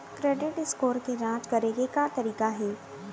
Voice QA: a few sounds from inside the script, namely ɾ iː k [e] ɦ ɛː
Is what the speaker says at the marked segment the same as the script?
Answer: no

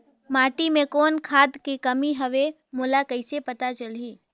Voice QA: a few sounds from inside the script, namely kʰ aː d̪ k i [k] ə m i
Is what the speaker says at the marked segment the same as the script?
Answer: yes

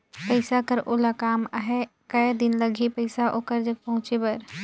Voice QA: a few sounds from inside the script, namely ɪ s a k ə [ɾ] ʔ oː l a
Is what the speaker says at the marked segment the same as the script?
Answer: yes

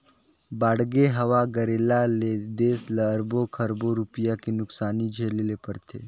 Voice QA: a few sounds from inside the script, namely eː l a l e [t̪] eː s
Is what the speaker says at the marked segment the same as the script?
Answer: no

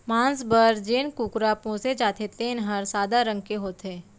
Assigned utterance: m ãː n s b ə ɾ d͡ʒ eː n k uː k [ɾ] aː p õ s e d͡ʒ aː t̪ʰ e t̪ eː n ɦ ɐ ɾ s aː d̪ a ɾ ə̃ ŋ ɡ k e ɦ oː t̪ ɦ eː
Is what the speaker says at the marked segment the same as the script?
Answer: yes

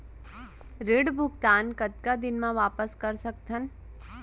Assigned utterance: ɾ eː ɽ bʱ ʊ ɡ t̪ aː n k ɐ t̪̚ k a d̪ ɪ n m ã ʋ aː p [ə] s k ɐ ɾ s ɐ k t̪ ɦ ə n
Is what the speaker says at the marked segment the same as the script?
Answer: yes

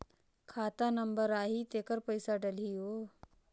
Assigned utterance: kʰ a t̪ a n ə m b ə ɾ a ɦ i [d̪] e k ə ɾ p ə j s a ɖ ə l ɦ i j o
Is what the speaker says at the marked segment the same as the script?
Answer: no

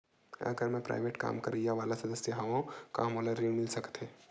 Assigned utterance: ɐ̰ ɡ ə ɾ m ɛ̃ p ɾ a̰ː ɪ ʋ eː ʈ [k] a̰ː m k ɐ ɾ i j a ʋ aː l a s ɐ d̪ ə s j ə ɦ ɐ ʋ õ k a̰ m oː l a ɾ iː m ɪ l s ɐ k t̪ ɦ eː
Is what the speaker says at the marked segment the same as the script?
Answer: yes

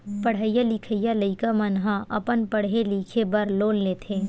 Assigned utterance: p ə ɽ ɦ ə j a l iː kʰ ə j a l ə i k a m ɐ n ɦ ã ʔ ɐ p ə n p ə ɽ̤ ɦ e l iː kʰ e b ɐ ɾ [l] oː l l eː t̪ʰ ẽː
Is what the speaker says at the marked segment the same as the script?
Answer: yes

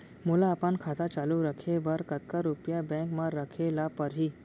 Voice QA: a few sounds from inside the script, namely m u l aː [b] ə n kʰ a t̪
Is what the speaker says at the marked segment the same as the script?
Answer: no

